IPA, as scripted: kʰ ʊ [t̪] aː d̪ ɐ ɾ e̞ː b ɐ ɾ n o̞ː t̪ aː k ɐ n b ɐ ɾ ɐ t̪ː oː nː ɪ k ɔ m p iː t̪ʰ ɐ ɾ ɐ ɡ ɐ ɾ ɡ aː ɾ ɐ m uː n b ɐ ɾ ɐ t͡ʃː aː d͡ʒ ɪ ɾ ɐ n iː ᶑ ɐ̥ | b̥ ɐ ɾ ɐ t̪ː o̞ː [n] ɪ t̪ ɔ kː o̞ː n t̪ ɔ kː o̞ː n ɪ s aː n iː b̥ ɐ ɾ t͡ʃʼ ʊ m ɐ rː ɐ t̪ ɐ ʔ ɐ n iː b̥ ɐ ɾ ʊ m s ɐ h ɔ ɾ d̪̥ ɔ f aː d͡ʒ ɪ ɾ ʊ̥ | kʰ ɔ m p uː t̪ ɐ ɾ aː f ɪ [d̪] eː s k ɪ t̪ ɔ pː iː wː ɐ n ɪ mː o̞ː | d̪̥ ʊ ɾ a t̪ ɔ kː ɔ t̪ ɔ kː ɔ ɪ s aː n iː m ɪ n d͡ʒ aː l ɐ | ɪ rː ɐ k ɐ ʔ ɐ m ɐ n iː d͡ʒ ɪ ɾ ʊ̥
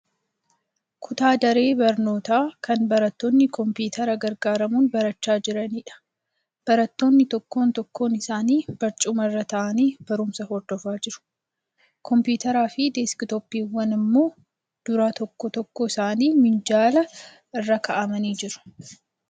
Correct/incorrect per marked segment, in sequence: correct, incorrect: nː, correct

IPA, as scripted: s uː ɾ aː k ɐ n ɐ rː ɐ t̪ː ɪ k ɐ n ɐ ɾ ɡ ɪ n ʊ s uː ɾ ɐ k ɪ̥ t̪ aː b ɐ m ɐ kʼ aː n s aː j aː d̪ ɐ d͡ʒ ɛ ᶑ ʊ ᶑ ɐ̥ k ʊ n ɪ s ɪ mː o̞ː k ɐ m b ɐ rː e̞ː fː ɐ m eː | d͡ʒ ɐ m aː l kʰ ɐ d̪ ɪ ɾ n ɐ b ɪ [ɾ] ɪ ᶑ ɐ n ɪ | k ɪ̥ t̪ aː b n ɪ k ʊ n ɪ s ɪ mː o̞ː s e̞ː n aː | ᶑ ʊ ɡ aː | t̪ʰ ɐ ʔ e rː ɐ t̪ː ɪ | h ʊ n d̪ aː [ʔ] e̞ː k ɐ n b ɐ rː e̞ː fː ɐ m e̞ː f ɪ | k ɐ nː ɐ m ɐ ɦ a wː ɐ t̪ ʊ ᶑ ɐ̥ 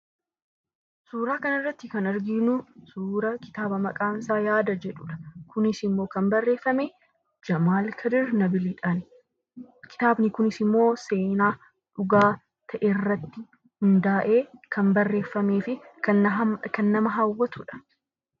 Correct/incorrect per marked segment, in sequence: incorrect: l, correct

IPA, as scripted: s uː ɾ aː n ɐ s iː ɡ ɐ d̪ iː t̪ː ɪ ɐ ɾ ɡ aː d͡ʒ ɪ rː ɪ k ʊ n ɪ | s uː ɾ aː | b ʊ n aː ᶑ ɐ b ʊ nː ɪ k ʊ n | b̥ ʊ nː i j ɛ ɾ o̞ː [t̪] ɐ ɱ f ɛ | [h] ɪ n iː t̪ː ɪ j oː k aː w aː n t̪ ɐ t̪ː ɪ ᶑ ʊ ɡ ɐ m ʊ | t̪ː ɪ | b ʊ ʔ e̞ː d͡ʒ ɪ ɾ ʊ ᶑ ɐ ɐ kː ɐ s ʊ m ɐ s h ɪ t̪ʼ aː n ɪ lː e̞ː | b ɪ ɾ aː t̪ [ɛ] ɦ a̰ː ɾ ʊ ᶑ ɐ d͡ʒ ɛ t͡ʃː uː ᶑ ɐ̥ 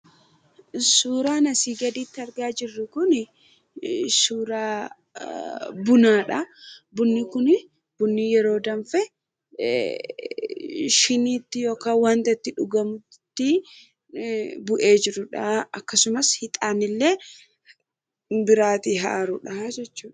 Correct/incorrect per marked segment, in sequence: incorrect: d̪, incorrect: ʃ, incorrect: i

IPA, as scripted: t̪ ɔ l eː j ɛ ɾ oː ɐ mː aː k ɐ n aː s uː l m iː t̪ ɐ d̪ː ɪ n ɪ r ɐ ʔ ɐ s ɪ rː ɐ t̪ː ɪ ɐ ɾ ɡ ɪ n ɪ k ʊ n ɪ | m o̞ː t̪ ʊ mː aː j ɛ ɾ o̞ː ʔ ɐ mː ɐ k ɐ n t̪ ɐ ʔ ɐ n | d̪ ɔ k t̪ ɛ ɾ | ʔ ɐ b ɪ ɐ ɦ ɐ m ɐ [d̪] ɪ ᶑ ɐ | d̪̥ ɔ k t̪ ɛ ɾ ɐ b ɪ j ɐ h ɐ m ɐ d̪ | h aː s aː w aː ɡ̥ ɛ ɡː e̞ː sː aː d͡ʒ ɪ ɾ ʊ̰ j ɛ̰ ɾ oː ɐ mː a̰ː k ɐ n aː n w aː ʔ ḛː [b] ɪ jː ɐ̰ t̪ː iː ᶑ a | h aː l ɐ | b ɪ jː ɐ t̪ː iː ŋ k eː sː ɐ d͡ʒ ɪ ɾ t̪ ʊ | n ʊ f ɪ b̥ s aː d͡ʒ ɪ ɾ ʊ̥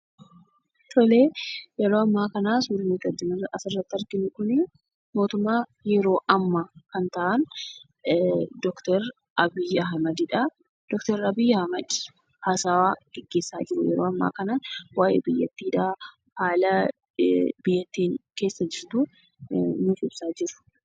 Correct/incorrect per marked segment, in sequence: correct, correct

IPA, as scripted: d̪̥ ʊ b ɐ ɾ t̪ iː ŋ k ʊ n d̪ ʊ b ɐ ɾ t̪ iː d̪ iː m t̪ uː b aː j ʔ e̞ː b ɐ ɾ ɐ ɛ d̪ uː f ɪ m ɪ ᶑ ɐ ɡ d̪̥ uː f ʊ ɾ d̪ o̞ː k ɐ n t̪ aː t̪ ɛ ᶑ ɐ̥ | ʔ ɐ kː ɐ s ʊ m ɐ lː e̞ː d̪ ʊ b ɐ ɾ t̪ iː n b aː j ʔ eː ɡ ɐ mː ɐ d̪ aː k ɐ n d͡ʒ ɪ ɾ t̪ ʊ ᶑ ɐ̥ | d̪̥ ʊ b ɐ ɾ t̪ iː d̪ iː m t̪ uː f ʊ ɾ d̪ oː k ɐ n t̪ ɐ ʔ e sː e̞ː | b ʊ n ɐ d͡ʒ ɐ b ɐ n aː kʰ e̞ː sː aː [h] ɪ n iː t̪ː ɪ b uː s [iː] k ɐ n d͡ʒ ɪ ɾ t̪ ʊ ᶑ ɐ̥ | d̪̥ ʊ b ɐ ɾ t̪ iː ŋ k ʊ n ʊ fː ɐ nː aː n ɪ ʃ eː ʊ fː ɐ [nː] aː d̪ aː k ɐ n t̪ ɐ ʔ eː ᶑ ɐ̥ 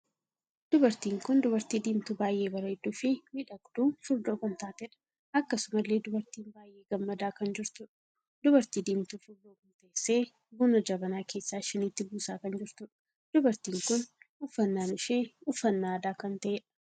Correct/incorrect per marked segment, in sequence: incorrect: ʃ, incorrect: aː, correct

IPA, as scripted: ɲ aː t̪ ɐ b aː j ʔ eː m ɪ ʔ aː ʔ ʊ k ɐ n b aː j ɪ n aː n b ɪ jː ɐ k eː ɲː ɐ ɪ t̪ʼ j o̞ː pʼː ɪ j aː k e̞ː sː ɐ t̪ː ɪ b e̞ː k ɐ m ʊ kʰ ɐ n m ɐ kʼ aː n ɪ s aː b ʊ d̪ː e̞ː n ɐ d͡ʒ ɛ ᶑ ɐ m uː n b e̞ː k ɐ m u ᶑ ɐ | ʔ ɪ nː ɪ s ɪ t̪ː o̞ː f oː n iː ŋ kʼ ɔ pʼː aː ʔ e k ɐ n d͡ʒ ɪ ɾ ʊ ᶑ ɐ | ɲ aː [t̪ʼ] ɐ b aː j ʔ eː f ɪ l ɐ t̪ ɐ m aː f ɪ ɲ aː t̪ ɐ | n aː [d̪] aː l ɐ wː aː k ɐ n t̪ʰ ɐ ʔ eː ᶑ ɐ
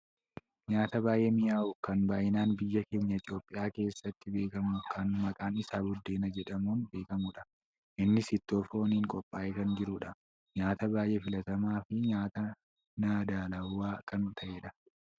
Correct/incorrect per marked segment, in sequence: incorrect: t̪, correct

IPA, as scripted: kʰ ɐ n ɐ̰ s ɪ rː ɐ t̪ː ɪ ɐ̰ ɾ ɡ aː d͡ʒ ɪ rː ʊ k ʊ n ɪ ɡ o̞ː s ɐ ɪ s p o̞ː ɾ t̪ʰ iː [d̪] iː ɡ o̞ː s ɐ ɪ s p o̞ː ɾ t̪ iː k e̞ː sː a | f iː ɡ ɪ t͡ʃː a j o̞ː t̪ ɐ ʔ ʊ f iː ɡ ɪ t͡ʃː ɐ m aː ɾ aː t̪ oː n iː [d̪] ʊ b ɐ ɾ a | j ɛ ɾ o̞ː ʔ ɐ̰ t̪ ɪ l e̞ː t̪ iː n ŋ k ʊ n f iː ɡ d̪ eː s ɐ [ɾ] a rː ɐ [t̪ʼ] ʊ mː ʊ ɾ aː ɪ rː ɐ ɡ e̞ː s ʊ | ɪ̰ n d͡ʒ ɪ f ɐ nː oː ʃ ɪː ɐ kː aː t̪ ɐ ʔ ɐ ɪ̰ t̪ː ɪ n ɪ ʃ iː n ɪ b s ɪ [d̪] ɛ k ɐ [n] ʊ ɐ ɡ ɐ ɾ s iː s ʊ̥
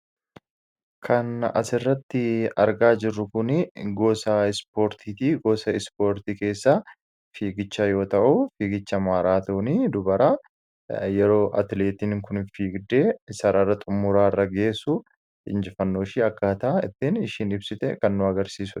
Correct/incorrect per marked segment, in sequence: incorrect: t̪, correct, correct, correct, incorrect: t̪, incorrect: nː

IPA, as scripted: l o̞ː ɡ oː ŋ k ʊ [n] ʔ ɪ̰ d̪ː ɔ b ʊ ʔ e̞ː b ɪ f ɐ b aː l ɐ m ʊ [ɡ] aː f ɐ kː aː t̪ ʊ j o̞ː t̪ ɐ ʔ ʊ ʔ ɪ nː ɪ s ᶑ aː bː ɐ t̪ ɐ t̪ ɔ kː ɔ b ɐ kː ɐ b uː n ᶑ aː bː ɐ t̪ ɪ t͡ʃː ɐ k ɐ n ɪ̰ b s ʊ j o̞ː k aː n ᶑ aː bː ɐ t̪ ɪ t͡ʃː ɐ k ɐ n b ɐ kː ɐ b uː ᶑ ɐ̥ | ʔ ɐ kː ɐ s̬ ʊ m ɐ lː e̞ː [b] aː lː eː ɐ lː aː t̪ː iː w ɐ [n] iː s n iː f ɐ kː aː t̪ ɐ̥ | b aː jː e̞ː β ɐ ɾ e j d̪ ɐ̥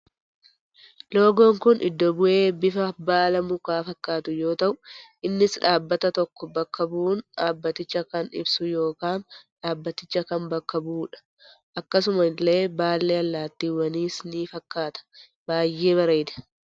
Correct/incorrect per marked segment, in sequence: correct, incorrect: k, correct, correct

